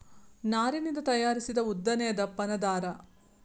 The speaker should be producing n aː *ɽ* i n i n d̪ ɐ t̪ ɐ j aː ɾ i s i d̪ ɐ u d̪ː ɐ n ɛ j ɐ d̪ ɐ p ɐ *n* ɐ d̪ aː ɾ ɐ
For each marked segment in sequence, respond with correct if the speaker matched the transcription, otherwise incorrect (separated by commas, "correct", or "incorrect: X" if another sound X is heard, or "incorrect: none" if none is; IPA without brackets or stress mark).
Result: incorrect: ɾ, correct